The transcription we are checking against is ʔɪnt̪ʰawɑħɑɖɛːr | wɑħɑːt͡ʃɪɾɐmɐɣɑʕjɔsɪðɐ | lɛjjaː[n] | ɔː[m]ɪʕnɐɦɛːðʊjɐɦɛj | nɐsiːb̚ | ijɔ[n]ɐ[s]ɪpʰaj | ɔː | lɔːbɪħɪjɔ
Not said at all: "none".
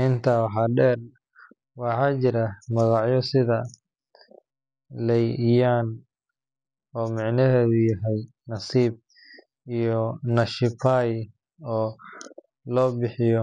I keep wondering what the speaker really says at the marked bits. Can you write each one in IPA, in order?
n, m, n, ʃ

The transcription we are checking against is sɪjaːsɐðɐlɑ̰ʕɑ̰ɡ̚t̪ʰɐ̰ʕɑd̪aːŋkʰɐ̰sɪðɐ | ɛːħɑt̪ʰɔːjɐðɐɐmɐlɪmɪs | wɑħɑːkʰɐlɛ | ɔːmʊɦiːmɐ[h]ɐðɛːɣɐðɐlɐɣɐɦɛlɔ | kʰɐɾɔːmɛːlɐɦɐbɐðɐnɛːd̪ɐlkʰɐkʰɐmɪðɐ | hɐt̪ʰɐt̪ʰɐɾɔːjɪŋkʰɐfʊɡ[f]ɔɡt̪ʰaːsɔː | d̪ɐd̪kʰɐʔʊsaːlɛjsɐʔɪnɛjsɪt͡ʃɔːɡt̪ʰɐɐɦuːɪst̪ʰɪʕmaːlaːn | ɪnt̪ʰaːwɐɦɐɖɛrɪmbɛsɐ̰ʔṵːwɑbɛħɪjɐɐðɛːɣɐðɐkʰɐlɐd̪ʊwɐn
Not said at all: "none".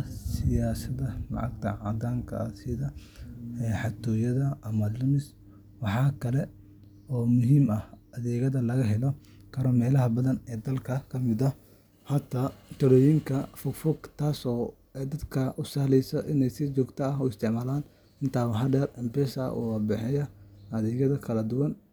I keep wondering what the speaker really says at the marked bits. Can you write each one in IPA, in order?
h, f

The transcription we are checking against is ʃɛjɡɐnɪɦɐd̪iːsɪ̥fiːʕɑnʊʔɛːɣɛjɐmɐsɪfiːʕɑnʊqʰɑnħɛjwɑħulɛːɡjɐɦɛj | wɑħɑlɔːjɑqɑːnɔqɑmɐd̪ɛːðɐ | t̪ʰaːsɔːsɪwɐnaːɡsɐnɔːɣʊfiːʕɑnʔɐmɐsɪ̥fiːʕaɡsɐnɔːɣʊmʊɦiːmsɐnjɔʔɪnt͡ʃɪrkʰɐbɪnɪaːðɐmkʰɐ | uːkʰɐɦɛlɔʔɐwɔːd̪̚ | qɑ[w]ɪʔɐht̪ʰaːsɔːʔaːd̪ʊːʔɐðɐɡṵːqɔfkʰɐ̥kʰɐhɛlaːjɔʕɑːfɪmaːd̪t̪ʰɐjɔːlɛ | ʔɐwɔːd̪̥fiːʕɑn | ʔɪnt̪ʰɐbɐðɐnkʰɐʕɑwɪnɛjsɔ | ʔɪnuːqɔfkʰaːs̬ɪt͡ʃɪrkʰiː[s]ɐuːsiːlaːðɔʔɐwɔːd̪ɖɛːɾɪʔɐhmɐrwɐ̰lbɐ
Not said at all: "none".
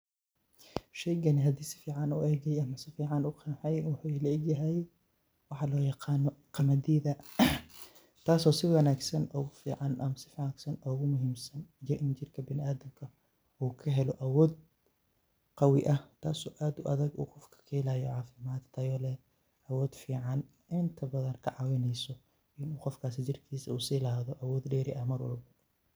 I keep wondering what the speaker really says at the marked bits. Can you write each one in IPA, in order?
w, s

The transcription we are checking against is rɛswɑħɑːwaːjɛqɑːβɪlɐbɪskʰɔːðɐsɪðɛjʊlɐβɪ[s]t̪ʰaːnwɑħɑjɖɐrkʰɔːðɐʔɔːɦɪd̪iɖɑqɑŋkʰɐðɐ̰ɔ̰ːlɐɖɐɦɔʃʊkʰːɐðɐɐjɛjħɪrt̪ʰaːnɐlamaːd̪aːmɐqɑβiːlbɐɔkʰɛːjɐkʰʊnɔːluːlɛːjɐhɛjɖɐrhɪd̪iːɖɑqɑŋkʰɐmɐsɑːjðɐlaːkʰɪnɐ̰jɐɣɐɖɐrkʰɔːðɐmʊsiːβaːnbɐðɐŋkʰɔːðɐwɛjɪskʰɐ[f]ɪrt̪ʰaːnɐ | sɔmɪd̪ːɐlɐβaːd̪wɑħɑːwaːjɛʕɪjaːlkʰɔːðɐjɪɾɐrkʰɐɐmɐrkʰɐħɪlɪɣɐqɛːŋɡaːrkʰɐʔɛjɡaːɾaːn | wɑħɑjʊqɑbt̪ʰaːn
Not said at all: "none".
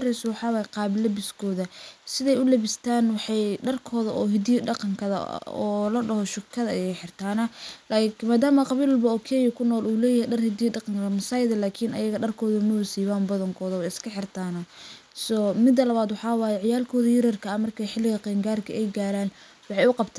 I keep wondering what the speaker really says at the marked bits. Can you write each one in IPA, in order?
s, ħ

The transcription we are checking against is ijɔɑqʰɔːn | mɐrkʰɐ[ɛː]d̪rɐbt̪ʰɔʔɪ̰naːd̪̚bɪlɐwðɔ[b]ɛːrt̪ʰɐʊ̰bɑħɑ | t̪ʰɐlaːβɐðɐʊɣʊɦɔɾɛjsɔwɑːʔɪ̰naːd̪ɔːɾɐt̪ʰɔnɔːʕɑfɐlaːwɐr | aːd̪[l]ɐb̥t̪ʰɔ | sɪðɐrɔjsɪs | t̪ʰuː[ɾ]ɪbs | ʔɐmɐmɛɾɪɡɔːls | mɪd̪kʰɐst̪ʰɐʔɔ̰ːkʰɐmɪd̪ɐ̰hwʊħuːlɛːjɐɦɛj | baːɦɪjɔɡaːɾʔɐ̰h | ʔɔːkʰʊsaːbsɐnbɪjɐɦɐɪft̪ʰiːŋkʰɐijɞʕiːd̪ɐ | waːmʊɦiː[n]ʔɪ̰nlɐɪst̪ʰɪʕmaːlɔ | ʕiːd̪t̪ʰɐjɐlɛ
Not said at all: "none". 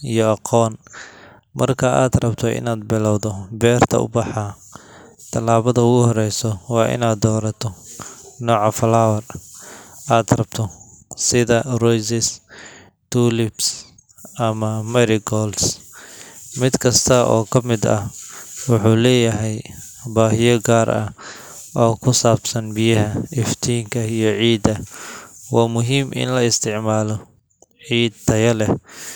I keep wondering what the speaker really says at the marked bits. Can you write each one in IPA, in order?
aː, b, r, l, m

